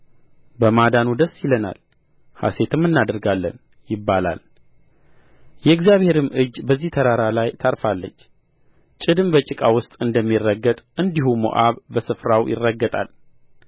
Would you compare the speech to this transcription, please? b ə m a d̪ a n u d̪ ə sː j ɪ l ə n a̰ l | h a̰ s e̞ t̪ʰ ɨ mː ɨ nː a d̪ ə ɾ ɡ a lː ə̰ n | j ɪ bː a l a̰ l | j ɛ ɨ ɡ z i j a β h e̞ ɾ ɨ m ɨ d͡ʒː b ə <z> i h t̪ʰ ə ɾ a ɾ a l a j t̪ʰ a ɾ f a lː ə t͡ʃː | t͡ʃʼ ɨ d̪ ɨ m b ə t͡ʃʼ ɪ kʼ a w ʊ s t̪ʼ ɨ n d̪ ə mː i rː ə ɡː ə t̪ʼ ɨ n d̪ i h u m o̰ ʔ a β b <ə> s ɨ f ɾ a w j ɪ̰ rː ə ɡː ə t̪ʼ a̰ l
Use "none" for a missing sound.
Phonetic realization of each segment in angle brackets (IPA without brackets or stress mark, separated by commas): zː, ə